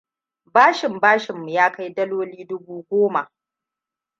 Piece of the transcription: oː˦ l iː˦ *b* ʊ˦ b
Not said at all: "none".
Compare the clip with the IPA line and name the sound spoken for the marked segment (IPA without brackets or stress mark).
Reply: d